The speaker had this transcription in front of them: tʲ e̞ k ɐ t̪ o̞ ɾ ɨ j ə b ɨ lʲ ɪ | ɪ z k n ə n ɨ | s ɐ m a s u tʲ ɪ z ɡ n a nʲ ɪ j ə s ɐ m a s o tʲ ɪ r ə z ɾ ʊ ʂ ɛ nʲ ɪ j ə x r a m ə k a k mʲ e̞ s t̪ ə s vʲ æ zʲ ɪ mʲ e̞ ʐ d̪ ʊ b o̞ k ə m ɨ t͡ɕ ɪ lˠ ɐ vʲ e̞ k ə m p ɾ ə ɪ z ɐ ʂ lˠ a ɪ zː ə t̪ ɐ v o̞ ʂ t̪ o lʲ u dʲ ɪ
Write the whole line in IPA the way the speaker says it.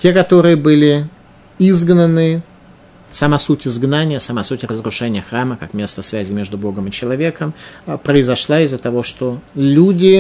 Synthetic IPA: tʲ e̞ k ɐ t̪ o̞ ɾ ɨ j ə b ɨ lʲ ɪ | i z ɡ n ə n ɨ | s ɐ m a s u tʲ ɪ z ɡ n a nʲ ɪ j ə s ɐ m a s u tʲ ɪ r ə z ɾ ʊ ʂ ɛ nʲ ɪ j ə x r a m ə k a k mʲ e̞ s t̪ ə s vʲ æ zʲ ɪ mʲ e̞ ʐ d̪ ʊ b o̞ ɡ ə m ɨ t͡ɕ ɪ lˠ ɐ vʲ e̞ k ə m p ɾ ə ɪ z ɐ ʂ lˠ a ɪ zː ə t̪ ɐ v o̞ ʂ t̪ o lʲ u dʲ ɪ